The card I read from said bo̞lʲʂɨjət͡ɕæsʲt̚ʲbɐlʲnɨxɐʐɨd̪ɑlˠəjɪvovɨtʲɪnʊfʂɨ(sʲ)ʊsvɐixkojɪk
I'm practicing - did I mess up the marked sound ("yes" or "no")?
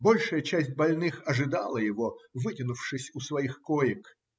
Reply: no